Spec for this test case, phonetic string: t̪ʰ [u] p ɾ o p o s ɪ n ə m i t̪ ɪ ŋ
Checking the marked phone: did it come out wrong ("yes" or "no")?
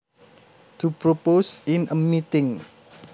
no